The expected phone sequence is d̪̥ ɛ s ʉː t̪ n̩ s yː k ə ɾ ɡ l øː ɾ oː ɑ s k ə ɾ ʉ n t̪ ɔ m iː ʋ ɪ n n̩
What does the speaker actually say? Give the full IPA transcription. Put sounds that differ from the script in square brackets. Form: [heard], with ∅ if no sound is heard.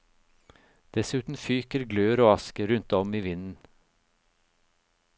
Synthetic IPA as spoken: d̪̥ ɛ s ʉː t̪ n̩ [f] yː k ə ɾ ɡ l øː ɾ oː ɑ s k ə ɾ ʉ n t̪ ɔ m iː ʋ ɪ n n̩